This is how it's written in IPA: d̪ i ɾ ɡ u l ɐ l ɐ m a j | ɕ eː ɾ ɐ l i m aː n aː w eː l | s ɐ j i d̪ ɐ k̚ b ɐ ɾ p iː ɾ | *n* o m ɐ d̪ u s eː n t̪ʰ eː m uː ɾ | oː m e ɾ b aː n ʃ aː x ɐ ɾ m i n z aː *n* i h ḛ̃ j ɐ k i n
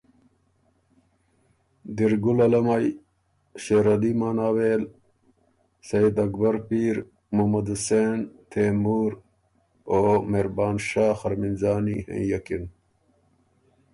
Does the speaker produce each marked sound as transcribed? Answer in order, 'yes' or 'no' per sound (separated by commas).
no, yes